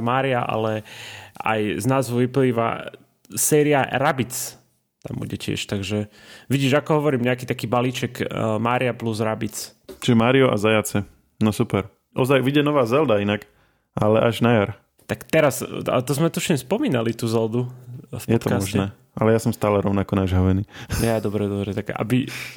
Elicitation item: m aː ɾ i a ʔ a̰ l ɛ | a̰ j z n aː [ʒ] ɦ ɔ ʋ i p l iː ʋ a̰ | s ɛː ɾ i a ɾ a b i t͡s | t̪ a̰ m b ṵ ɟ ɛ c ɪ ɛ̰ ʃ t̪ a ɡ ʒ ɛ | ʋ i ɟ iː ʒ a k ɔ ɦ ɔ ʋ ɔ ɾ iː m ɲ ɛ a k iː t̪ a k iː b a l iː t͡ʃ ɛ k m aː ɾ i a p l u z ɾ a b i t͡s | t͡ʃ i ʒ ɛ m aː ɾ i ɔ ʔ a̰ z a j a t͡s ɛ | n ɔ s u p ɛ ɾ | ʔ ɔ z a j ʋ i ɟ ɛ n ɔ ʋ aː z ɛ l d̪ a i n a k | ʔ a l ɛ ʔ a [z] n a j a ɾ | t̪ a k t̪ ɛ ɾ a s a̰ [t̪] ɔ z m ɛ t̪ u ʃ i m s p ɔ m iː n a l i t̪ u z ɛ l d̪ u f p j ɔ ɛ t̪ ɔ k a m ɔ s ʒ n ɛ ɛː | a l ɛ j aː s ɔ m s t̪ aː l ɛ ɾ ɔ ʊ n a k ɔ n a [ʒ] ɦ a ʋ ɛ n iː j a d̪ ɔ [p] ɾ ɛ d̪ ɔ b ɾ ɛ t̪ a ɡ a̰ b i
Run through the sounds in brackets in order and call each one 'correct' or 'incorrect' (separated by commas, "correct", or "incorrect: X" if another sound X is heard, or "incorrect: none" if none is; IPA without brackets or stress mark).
incorrect: z, incorrect: ʒ, correct, correct, incorrect: b